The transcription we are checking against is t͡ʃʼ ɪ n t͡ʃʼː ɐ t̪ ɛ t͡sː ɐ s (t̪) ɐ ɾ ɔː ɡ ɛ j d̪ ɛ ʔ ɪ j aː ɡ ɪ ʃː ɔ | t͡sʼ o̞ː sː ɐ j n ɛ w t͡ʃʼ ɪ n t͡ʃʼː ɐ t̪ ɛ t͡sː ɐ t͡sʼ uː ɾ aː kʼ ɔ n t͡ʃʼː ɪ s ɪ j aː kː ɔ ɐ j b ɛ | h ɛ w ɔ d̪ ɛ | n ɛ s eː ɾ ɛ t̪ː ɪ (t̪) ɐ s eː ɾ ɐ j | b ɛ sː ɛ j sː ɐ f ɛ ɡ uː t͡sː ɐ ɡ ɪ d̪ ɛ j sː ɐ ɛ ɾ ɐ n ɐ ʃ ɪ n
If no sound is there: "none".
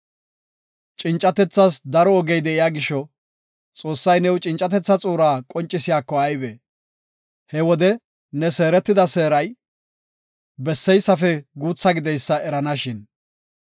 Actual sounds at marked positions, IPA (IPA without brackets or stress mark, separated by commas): d̪, d̪